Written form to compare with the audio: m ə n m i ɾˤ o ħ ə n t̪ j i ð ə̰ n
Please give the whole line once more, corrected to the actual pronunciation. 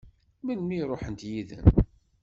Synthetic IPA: m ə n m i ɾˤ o ħ ə n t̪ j i ð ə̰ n